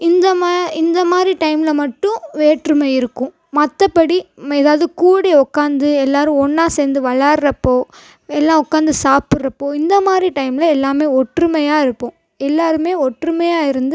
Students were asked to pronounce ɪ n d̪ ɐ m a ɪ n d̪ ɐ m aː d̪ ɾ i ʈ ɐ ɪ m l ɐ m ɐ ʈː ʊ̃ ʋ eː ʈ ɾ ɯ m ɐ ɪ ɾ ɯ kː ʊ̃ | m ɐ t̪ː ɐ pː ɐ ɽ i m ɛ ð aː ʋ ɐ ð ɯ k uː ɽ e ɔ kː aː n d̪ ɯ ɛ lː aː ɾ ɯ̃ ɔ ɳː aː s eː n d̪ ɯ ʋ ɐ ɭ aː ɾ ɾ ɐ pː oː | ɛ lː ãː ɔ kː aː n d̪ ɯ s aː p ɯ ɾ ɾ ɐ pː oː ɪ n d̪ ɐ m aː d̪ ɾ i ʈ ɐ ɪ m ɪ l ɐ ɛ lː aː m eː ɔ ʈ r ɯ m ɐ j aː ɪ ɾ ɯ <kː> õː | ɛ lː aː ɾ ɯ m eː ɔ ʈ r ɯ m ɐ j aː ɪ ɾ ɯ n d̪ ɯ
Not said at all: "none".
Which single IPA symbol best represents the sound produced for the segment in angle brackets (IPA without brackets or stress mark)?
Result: pː